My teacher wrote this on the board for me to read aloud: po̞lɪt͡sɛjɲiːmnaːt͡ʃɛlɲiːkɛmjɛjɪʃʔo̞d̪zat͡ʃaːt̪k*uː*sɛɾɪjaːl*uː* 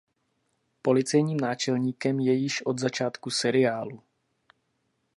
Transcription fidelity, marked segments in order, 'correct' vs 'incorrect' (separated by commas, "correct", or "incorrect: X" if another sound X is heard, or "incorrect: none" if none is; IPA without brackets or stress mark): incorrect: u, incorrect: u